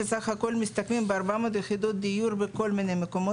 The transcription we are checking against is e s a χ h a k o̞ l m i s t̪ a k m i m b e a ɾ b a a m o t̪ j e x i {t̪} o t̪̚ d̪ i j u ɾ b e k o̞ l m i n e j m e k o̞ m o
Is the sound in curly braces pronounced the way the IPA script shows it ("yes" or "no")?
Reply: no